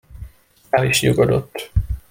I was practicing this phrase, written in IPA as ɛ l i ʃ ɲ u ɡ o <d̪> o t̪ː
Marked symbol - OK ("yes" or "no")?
yes